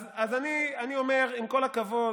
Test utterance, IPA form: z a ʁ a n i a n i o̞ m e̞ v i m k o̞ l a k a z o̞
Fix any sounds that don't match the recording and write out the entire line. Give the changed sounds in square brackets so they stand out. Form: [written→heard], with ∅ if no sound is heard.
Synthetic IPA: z a [ʁ→z] a n i a n i o̞ m e̞ [v→ʁ] i m k o̞ l a k a [z→v] o̞